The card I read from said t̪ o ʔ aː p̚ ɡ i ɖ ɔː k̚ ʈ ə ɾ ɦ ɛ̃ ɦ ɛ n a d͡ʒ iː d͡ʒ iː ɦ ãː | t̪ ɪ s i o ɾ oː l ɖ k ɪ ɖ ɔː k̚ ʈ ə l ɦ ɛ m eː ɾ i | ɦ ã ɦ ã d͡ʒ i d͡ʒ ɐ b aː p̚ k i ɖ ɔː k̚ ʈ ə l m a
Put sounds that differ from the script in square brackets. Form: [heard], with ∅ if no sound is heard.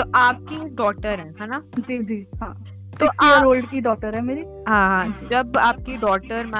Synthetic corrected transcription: t̪ o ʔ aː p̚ [k] i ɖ ɔː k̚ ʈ ə ɾ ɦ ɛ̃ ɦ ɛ n a d͡ʒ iː d͡ʒ iː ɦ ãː | t̪ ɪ s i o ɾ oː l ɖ k [i] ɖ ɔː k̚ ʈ ə [ɾ] ɦ ɛ m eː ɾ i | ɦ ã ɦ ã d͡ʒ i d͡ʒ ɐ b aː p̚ k i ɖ ɔː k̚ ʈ ə [ɾ] m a